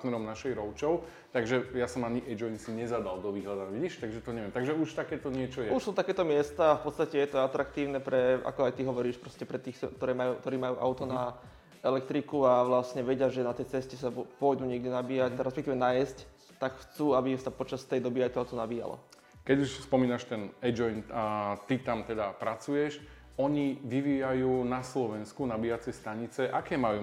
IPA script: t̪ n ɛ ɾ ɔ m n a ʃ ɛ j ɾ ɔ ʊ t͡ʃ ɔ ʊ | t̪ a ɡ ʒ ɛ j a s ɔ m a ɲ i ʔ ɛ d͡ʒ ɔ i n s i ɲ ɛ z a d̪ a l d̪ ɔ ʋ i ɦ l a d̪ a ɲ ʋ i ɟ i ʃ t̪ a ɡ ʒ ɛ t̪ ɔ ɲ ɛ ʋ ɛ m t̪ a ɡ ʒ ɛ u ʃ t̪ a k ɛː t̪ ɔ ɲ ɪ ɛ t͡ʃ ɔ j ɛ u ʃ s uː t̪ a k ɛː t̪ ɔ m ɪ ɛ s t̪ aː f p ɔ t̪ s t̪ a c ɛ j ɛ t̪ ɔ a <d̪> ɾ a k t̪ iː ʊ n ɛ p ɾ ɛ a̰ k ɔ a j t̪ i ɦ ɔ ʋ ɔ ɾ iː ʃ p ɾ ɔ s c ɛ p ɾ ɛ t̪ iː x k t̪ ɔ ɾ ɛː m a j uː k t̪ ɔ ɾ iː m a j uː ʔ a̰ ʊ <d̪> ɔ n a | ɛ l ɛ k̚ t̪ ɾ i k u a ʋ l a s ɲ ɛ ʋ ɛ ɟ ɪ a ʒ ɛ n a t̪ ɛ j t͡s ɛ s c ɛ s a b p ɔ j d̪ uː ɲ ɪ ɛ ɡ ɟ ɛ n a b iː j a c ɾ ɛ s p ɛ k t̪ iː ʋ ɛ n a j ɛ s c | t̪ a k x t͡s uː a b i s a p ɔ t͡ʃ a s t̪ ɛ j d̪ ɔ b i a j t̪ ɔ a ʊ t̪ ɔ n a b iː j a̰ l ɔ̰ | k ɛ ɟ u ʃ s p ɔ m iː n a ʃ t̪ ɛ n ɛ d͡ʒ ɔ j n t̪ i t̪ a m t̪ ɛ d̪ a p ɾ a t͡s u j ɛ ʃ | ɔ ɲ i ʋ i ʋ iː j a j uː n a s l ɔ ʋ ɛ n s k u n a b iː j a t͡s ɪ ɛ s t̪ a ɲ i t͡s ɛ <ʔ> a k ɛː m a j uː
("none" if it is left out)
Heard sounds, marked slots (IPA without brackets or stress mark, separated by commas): t̪, t̪, ʔ